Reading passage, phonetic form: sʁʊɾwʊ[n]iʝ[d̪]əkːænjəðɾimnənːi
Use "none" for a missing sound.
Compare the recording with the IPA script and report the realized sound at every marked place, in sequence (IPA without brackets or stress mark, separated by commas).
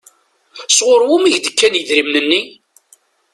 m, d̪